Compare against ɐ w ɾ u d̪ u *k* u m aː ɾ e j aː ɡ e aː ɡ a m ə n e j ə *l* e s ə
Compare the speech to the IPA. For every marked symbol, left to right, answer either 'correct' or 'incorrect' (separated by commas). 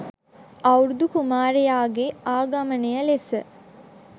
correct, correct